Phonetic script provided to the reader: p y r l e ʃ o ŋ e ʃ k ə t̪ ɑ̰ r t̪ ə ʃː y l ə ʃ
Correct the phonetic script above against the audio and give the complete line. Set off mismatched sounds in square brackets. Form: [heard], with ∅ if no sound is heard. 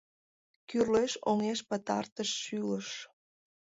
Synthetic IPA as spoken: [k] y r l e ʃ o ŋ e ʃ [p] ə t̪ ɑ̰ r t̪ ə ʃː y l ə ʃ